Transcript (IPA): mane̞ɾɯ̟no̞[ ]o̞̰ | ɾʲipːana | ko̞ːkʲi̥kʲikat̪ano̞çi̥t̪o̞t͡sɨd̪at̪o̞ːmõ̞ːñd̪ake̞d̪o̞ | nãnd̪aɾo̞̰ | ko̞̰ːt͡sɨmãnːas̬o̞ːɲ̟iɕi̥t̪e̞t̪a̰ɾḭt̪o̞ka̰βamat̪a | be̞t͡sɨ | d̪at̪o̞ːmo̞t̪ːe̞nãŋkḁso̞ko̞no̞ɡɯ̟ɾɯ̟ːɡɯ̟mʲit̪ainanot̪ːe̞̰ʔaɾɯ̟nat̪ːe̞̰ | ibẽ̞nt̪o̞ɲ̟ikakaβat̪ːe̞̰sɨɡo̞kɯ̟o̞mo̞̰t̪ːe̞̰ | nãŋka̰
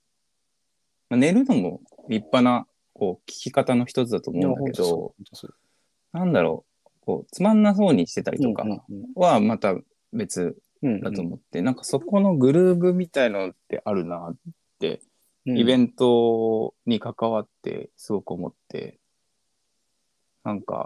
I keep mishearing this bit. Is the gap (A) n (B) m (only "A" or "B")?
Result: B